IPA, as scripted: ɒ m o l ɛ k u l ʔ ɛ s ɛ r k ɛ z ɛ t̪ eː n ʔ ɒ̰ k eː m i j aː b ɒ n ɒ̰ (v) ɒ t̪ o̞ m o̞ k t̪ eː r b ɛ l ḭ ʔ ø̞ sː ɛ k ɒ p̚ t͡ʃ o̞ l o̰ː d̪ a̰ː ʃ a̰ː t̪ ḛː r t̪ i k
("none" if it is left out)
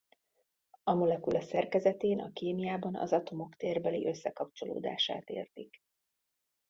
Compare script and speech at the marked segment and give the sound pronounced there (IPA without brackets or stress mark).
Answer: z